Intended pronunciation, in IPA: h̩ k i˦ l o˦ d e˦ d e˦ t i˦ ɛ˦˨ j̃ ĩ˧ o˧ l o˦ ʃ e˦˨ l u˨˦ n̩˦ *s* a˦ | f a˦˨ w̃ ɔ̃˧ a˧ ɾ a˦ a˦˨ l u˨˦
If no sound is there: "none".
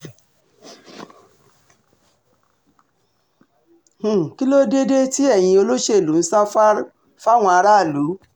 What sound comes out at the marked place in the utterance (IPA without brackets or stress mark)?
s